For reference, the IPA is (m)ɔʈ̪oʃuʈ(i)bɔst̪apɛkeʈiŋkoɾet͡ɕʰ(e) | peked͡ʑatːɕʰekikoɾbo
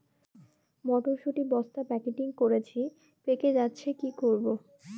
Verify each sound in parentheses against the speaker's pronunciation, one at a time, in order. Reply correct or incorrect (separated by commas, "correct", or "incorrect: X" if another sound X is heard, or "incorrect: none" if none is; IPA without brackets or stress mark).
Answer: correct, correct, incorrect: i